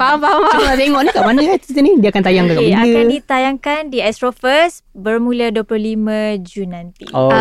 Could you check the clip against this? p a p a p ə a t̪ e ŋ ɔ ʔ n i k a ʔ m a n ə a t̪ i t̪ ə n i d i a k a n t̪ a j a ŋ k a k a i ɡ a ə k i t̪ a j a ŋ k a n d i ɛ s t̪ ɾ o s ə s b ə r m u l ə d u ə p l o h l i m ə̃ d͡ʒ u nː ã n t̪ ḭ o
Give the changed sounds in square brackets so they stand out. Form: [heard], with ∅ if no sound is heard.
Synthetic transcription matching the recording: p a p a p [a] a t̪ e ŋ ɔ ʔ n i k a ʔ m a n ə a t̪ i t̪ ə n i d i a k a n t̪ a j a ŋ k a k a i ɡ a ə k i t̪ a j a ŋ k a n d i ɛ s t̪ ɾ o [f] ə s b ə r m u l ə d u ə p l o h l i m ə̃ d͡ʒ u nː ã n t̪ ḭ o